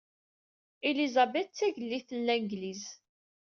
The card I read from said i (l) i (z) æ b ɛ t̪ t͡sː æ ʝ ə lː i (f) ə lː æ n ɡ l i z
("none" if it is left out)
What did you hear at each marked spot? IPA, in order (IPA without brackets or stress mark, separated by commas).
l, z, θ